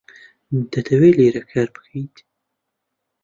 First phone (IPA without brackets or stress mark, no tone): d̪